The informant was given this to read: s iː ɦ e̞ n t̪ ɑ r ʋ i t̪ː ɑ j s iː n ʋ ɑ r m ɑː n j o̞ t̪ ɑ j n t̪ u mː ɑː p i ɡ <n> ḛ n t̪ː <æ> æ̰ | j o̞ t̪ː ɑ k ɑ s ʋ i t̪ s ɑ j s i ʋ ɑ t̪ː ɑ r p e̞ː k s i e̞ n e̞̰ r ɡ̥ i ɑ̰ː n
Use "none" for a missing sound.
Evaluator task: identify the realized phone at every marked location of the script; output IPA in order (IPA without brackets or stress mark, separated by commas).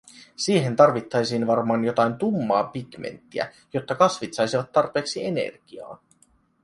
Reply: m, i